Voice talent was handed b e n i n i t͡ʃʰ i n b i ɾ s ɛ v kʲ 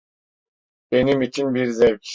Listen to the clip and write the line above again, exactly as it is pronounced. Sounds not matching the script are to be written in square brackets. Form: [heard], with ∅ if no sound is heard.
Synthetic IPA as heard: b e n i [m] i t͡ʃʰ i n b i ɾ [z] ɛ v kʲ